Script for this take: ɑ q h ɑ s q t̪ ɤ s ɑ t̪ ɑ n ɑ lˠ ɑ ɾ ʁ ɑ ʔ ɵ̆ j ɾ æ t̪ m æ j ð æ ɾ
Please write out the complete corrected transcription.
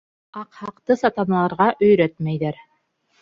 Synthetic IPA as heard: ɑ q h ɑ q t̪ ɤ s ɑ t̪ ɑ n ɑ lˠ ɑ ɾ ʁ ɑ ʔ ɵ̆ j ɾ æ t̪ m æ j ð æ ɾ